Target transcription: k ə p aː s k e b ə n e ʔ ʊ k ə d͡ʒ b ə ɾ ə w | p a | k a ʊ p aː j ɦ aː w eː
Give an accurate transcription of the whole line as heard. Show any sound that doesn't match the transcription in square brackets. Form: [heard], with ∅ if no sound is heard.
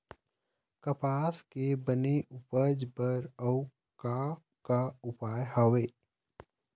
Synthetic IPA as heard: k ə p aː s k e b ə n e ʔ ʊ [p] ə d͡ʒ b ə ɾ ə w | [k] a | k a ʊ p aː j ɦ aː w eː